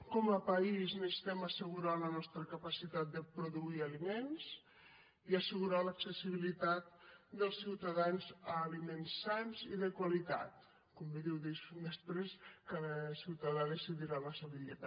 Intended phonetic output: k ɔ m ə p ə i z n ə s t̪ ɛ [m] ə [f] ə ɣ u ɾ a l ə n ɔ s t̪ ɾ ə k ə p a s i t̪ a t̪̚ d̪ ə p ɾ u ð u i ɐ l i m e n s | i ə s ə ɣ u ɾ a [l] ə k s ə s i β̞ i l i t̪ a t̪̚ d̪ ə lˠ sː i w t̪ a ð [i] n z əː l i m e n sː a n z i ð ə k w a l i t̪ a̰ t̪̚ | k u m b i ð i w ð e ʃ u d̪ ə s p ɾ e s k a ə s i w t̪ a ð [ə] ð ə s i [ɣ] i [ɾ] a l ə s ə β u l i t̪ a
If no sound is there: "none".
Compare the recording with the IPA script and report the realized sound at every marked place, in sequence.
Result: m, s, l, a, a, ð, ɾ

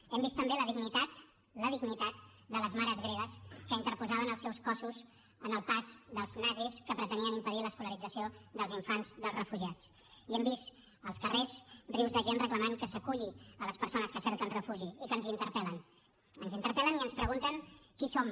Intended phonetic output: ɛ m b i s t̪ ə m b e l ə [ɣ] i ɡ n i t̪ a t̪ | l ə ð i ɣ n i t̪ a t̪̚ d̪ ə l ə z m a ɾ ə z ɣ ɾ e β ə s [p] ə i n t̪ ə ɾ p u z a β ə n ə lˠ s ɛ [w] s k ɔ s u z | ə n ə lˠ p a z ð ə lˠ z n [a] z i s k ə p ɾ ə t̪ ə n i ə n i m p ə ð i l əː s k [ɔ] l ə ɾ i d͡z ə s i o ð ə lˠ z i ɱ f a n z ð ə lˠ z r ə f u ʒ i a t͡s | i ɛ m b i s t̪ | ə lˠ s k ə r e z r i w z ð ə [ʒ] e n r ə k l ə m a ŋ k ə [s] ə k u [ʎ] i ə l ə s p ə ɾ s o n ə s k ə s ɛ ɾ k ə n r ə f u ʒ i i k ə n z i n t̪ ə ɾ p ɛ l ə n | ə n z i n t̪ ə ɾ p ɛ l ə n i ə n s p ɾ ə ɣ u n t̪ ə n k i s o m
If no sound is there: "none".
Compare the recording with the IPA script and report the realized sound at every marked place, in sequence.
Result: ð, k, w, a, u, ʒ, s, ʎ

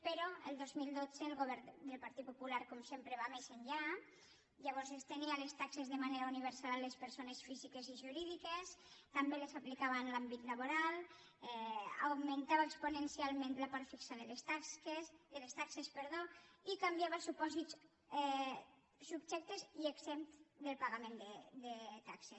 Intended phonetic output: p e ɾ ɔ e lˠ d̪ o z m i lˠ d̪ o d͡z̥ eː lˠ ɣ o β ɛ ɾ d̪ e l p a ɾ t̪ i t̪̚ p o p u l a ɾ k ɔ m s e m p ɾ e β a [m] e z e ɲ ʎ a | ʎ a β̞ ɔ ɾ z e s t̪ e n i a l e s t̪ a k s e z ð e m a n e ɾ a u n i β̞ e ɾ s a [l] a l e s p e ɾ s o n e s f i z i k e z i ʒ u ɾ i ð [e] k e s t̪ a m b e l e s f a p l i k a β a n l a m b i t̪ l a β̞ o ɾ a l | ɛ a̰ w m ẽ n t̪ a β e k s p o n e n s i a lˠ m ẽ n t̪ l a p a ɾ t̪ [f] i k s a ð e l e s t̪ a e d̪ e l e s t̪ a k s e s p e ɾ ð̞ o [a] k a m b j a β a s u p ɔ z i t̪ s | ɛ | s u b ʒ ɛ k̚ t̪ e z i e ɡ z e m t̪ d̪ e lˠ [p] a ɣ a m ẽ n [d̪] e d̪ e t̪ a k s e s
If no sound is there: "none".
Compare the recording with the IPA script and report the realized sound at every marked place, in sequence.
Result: m, l, i, f, i, p, d̪

